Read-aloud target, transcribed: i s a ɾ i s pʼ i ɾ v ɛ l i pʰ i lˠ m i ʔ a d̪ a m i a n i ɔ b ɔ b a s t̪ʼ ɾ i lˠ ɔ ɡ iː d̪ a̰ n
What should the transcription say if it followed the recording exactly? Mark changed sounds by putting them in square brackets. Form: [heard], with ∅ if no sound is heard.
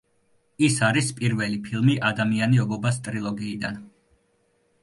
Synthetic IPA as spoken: i s a ɾ i s pʼ i ɾ v ɛ l i pʰ i lˠ m i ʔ a d̪ a m i a n i ɔ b ɔ b a s t̪ʼ ɾ i lˠ ɔ ɡ iː d̪ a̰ n